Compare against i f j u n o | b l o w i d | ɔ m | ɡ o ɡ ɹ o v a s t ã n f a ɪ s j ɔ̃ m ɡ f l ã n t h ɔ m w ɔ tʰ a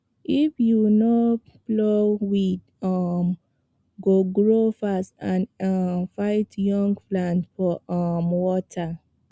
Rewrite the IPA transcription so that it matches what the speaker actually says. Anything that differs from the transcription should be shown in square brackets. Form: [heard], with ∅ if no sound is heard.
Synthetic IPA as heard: i f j u n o | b l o w i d | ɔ m | ɡ o ɡ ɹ o [f] a s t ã n f a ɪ [t] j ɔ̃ [ŋ] ɡ f l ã n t [f] ɔ m w ɔ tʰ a